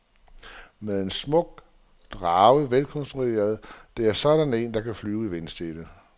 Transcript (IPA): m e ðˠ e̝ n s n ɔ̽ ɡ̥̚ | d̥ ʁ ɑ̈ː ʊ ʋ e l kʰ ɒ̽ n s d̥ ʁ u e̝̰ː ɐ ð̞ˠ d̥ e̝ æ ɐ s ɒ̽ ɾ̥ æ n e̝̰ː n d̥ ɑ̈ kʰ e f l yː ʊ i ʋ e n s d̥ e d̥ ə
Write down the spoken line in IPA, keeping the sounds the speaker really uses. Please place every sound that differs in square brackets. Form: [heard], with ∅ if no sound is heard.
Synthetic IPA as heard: m e ðˠ e̝ n s [m] ɔ̽ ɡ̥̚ | d̥ ʁ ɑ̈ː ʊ ʋ e l kʰ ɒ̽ n s d̥ ʁ u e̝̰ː ɐ ð̞ˠ d̥ e̝ æ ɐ s ɒ̽ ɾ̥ æ n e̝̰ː n d̥ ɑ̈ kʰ [æ] f l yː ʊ i ʋ e n s d̥ e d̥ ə